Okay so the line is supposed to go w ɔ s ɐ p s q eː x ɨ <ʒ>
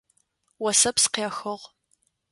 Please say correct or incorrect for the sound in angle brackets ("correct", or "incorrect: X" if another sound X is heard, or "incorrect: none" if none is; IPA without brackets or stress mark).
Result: incorrect: ʁ